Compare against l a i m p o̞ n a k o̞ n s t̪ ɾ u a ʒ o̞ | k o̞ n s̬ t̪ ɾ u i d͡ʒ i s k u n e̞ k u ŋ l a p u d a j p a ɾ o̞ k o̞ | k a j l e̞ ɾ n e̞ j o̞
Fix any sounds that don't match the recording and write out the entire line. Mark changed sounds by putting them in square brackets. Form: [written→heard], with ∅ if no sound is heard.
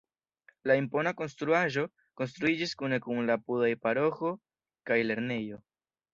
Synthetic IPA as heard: l a i m p o̞ n a k o̞ n s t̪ ɾ u a ʒ o̞ | k o̞ n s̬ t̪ ɾ u i d͡ʒ i s k u n e̞ k u ŋ l a p u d a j p a ɾ o̞ [k→x] o̞ | k a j l e̞ ɾ n e̞ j o̞